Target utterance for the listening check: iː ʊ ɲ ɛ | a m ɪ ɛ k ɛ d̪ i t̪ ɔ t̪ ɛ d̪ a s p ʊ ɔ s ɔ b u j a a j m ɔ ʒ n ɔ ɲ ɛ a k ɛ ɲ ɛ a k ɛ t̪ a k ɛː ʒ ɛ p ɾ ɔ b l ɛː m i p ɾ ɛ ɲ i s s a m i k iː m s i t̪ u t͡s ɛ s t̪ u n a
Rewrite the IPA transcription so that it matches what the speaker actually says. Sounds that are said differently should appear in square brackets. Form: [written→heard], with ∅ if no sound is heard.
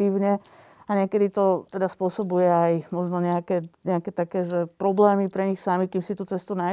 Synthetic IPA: iː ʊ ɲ ɛ | a [m→ɲ] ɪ ɛ k ɛ d̪ i t̪ ɔ t̪ ɛ d̪ a s p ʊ ɔ s ɔ b u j [a→ɛ] a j m ɔ ʒ n ɔ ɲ ɛ a k ɛ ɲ ɛ a k ɛ t̪ a k ɛː ʒ ɛ p ɾ ɔ b l ɛː m i p ɾ ɛ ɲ i [s→x] s a m i k iː m s i t̪ u t͡s ɛ s t̪ u n a